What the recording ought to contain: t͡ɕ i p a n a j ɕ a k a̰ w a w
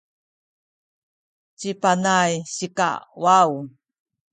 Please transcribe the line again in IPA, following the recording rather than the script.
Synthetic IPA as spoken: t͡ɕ i p a n a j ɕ i k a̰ w a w